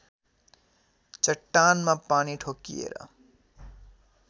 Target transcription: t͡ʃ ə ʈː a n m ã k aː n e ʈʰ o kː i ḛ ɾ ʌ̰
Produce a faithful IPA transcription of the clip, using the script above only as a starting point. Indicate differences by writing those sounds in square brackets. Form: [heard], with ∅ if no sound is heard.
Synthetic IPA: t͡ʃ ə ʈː a n m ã [p] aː n [i] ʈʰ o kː i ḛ ɾ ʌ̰